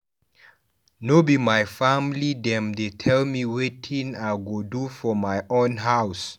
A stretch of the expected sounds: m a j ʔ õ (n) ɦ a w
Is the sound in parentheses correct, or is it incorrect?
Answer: correct